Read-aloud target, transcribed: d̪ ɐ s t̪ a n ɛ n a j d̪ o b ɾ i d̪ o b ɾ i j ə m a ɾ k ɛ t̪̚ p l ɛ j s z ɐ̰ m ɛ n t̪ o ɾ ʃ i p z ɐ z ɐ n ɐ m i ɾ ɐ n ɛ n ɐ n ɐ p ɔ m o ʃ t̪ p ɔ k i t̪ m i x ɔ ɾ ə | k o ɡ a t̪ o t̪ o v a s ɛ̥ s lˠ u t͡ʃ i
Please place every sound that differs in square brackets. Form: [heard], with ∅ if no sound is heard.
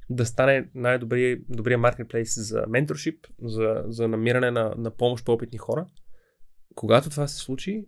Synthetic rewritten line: d̪ ɐ s t̪ a n ɛ n a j d̪ o b ɾ i d̪ o b ɾ i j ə m a ɾ k ɛ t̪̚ p l ɛ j s z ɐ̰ m ɛ n t̪ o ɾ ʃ i p z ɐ z ɐ n ɐ m i ɾ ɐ n ɛ n ɐ n ɐ p ɔ m o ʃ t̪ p ɔ [p] i t̪ [n] i x ɔ ɾ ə | k o ɡ a t̪ o t̪ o v a s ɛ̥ s lˠ u t͡ʃ i